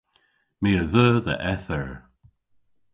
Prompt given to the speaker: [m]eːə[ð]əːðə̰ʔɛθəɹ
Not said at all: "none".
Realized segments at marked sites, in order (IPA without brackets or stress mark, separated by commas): m, ð